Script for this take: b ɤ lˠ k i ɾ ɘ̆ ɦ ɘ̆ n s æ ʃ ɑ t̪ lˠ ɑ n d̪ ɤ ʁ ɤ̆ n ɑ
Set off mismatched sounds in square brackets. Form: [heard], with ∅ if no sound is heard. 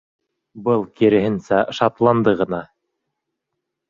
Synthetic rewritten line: b ɤ lˠ k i ɾ ɘ̆ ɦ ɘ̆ n s æ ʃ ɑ t̪ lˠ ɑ n d̪ ɤ ʁ ɤ̆ n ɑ